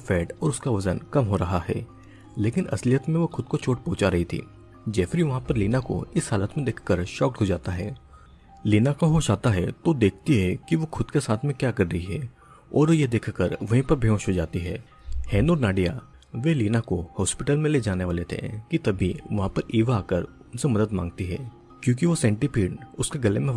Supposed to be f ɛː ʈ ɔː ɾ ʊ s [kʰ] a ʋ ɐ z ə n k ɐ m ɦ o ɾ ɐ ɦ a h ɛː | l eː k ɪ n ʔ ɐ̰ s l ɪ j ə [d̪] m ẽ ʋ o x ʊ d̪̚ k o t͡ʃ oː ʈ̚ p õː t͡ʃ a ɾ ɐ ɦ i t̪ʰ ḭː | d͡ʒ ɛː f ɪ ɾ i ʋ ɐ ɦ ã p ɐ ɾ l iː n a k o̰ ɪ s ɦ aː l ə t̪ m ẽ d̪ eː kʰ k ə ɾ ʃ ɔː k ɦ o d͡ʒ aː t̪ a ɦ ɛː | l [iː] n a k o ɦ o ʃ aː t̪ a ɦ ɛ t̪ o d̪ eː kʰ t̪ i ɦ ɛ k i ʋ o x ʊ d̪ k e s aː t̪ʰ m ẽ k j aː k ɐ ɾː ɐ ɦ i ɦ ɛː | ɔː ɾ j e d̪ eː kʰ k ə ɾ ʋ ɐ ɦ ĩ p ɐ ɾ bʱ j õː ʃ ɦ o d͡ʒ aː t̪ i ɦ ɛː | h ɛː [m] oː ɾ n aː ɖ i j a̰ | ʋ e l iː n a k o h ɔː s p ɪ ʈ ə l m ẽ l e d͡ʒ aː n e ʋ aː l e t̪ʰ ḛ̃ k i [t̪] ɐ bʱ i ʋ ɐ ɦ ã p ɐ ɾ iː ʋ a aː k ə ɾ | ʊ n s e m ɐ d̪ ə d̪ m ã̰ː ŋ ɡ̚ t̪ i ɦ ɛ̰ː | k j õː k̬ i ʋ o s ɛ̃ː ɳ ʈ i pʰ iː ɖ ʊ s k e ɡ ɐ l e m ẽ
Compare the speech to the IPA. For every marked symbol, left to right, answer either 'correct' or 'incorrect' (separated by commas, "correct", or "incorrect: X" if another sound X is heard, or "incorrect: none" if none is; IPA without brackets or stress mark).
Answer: incorrect: k, incorrect: t̪, correct, incorrect: n, correct